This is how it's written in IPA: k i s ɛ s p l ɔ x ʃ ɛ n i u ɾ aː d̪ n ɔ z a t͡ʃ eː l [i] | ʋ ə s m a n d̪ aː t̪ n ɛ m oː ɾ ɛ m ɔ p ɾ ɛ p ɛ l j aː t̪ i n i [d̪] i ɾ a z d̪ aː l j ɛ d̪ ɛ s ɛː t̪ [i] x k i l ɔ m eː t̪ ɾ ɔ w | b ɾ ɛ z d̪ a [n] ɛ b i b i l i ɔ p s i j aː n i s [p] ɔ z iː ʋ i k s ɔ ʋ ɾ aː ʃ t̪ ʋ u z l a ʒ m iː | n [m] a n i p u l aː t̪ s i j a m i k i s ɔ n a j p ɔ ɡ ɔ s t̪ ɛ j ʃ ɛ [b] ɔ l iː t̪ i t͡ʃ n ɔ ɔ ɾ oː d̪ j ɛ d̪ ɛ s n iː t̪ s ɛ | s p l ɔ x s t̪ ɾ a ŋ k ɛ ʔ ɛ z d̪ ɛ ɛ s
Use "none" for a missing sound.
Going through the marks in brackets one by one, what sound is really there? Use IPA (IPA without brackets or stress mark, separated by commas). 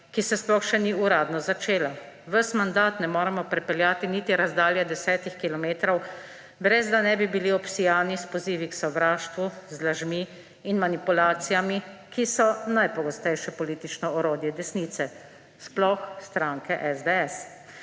a, t̪, i, n, p, m, p